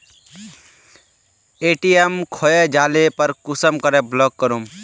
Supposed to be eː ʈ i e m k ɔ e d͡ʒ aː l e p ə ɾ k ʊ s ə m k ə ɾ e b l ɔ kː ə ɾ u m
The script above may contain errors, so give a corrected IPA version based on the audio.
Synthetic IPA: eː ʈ i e m kʰ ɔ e d͡ʒ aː l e p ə ɾ k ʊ s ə m k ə ɾ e b l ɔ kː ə ɾ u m